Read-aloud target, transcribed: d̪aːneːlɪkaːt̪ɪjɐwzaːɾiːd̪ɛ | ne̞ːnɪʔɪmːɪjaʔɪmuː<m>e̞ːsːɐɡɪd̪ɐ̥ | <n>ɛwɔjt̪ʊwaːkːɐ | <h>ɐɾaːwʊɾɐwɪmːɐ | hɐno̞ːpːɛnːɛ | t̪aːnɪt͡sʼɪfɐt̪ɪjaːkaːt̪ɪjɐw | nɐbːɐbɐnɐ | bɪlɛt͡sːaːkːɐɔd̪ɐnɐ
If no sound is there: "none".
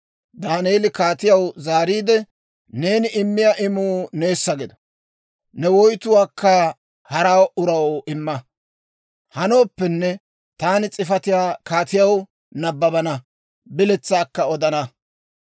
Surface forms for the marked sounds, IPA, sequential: n, n, h

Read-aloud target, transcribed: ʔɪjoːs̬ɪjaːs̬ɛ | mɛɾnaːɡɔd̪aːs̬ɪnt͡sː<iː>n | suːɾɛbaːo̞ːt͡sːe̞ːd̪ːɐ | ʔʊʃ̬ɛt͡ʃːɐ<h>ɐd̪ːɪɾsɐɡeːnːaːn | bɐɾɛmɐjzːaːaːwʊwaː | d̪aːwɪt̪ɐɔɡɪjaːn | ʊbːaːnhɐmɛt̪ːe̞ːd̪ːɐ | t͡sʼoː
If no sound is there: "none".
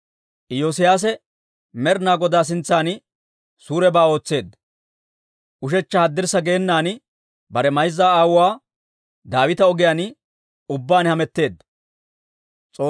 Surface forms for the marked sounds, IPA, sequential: aː, h

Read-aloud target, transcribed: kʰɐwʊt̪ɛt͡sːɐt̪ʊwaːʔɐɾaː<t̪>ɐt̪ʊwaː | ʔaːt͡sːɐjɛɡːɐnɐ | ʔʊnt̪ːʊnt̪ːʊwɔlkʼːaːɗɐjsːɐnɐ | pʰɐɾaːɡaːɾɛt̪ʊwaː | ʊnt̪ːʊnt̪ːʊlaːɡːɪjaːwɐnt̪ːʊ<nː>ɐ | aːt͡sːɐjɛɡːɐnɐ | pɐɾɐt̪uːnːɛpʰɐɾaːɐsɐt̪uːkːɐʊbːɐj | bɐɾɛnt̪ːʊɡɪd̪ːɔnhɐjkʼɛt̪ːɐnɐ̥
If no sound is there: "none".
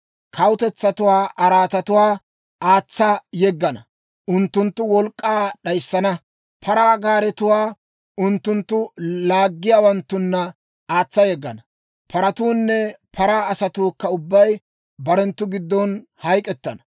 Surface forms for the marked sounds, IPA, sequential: t̪, nː

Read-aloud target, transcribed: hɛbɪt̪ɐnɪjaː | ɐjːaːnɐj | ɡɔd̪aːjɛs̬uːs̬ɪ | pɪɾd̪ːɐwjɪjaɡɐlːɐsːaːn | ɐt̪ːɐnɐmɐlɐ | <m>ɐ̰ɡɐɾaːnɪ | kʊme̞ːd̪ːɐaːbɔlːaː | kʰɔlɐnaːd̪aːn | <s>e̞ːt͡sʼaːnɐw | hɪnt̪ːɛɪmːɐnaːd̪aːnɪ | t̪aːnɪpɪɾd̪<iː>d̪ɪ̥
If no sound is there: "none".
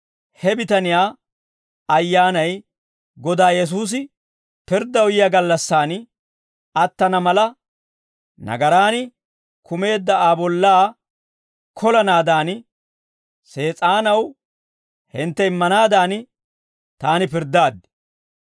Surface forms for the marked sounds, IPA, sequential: n, s, aː

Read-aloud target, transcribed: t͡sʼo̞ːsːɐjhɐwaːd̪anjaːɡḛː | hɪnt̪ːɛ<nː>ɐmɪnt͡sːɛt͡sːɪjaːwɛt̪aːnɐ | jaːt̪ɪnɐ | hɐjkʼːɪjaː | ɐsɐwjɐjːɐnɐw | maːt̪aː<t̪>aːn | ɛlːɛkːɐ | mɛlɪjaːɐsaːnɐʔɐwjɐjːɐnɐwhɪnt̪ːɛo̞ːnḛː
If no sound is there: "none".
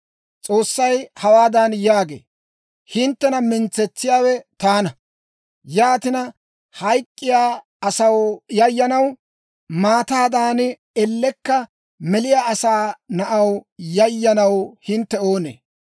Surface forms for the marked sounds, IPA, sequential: n, d̪

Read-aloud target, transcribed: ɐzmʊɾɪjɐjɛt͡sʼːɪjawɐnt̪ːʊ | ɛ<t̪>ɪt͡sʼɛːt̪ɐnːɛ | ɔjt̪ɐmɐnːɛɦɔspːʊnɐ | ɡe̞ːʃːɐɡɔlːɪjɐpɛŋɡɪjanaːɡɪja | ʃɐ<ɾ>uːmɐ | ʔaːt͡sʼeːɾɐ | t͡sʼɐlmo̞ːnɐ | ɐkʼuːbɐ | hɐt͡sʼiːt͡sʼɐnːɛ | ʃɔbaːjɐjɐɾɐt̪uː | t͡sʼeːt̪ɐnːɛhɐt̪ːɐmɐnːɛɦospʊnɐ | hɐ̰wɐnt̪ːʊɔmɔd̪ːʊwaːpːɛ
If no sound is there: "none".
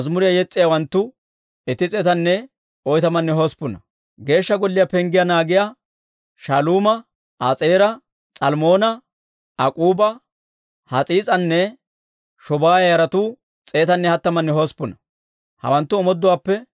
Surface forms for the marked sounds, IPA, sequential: t̪, l

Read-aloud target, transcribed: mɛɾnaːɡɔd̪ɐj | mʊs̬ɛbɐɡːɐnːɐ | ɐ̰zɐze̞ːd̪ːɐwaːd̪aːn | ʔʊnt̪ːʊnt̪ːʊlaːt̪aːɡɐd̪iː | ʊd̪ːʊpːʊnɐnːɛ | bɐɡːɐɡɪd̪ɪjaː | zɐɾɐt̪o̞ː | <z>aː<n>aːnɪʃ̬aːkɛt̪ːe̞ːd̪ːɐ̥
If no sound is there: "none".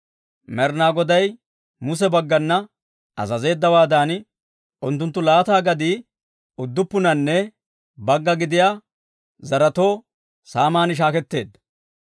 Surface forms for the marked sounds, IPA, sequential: s, m

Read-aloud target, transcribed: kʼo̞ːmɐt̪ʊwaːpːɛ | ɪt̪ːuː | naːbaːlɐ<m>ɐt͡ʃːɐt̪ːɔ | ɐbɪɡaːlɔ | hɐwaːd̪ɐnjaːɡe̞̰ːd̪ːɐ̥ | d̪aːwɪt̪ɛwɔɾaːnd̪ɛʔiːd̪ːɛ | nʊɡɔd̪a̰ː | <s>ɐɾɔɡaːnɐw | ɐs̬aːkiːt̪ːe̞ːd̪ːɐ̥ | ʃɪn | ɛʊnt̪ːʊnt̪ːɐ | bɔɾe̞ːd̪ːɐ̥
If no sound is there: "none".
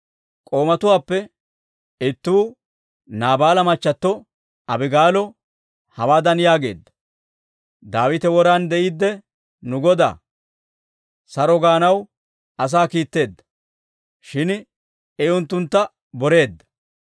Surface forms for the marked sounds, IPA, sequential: m, s

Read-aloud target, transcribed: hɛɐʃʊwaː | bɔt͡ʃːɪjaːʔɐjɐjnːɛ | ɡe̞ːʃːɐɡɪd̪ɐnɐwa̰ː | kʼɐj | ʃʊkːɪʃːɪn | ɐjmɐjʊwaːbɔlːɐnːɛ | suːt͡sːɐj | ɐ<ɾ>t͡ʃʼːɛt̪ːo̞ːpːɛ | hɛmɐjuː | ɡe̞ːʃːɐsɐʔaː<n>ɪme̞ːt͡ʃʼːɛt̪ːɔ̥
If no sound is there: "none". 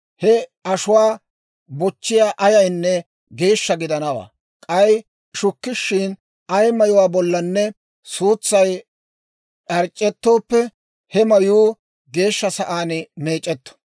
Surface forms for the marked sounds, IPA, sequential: ɾ, n

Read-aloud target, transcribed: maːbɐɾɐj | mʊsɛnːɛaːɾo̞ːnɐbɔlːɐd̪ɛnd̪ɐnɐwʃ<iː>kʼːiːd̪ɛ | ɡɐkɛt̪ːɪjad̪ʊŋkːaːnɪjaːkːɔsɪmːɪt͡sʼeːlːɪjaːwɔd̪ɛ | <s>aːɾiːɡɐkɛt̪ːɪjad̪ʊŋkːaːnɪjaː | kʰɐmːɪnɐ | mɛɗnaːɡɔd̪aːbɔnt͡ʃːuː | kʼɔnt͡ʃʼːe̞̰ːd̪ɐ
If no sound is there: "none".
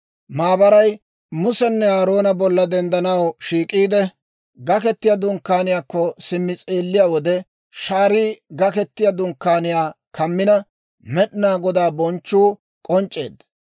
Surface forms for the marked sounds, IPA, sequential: iː, ʃ

